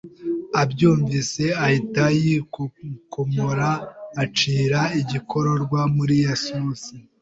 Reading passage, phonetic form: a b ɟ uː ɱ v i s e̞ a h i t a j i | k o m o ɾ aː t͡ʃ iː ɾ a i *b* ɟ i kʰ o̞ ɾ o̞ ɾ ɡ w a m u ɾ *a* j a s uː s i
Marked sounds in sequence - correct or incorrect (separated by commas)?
incorrect, incorrect